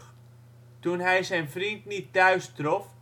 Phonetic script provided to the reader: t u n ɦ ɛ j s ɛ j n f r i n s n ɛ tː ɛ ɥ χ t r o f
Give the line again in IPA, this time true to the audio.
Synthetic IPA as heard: t u n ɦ ɛ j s ɛ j n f r i n t n i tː œ ɥ s t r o f